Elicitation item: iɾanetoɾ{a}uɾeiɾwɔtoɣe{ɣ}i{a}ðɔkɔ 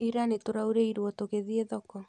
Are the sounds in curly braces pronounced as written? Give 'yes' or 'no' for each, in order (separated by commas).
yes, no, no